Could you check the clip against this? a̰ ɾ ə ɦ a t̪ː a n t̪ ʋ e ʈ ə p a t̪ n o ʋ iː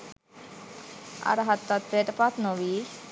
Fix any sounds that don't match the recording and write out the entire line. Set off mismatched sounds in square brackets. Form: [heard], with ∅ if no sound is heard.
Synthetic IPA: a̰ ɾ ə ɦ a t̪ː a [∅] t̪ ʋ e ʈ ə p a t̪ n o ʋ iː